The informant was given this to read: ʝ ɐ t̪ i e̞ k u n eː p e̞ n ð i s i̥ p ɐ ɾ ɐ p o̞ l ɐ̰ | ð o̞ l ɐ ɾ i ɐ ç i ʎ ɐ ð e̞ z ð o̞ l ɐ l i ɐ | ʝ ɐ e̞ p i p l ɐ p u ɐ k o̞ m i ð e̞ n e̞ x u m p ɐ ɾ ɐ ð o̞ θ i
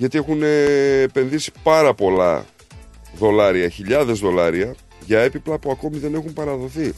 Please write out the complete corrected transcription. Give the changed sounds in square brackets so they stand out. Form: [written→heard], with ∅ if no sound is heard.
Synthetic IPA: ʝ ɐ t̪ i e̞ [k→x] u n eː p e̞ n ð i s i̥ p ɐ ɾ ɐ p o̞ l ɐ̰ | ð o̞ l ɐ ɾ i ɐ ç i ʎ ɐ ð e̞ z ð o̞ l ɐ [l→ɾ] i ɐ | ʝ ɐ e̞ p i p l ɐ p u ɐ k o̞ m i ð e̞ n e̞ x u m p ɐ ɾ ɐ ð o̞ θ i